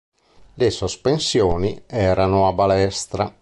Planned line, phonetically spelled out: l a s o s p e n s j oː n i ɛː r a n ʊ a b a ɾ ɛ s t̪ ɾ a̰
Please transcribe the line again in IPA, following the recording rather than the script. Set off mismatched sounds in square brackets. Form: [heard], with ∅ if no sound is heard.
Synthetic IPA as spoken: l [e] s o s p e n s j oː n i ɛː [ɾ] a n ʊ a b a [l] ɛ s t̪ ɾ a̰